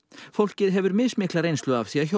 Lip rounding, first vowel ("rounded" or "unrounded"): rounded